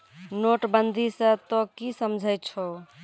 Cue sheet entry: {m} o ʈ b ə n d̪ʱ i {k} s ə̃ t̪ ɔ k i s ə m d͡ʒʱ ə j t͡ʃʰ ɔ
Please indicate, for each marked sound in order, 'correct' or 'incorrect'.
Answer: incorrect, incorrect

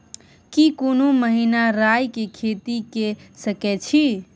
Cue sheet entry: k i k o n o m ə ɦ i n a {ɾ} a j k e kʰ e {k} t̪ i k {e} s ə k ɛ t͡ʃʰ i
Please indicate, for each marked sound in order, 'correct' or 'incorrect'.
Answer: correct, incorrect, correct

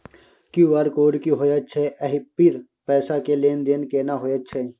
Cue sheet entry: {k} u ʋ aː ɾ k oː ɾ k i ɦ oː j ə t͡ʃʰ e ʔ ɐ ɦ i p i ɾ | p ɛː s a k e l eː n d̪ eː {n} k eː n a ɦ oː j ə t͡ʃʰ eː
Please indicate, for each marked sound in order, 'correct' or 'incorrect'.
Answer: correct, correct

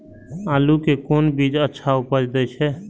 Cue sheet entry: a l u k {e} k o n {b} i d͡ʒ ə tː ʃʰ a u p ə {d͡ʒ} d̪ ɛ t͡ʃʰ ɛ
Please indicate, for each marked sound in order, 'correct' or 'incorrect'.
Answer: correct, correct, correct

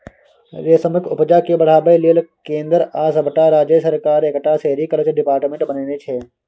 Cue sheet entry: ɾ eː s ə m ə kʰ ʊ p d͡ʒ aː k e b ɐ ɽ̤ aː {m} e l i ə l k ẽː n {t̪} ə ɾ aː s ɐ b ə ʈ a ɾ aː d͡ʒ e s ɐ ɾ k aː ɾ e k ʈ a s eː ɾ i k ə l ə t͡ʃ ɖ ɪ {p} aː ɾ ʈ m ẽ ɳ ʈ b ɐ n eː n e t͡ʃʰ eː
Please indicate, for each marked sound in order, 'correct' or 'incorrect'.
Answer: incorrect, incorrect, correct

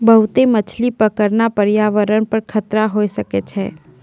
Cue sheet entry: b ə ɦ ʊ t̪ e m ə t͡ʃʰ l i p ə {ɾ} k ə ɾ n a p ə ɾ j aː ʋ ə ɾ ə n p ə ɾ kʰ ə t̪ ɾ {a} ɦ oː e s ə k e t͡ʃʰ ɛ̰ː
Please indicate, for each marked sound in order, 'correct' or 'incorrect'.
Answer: incorrect, correct

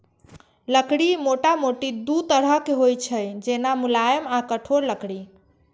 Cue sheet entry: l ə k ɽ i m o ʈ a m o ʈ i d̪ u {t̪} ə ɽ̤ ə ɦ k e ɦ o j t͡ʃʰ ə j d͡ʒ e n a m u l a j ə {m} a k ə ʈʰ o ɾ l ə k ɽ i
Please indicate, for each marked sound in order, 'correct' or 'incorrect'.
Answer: correct, correct

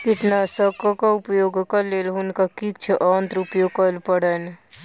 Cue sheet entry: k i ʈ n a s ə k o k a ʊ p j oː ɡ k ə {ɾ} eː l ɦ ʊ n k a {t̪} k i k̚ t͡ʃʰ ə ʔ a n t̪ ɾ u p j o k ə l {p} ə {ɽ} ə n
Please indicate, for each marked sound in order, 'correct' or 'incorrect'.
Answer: incorrect, incorrect, correct, correct

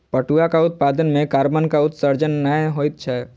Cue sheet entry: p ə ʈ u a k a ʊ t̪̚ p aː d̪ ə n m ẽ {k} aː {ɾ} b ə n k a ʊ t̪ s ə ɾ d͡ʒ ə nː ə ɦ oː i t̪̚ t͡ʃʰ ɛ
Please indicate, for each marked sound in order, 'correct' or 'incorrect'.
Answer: correct, correct

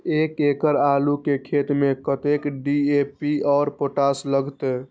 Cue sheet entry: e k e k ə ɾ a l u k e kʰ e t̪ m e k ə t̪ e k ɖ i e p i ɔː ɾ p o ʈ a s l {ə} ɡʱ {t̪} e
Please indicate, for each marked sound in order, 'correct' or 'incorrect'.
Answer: correct, correct

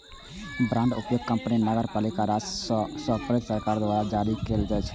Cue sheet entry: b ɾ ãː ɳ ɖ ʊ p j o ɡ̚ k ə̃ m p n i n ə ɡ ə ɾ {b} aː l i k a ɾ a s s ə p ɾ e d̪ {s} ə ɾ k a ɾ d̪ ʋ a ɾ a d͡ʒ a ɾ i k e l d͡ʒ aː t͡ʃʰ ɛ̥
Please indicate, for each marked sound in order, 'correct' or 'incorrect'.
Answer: incorrect, correct

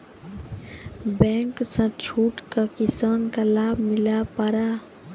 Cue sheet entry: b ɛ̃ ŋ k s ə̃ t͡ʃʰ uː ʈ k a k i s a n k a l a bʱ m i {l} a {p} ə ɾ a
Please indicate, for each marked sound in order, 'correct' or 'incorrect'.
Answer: correct, correct

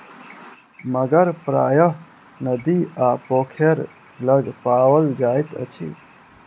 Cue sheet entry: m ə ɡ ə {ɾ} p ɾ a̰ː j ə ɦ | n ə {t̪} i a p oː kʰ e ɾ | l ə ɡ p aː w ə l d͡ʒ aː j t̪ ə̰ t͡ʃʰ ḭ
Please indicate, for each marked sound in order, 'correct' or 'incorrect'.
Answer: correct, incorrect

